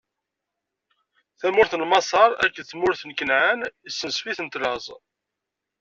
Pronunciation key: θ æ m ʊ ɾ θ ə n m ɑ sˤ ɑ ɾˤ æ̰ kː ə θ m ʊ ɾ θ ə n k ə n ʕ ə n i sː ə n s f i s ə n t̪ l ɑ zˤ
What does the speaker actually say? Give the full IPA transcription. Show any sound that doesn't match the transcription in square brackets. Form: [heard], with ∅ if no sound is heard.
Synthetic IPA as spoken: θ æ m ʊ ɾ θ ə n m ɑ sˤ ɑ ɾˤ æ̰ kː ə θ m ʊ ɾ θ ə n k ə n ʕ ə n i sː ə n s f i [θ] ə n t̪ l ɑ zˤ